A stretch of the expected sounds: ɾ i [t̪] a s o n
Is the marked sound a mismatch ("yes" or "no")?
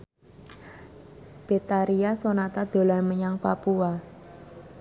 yes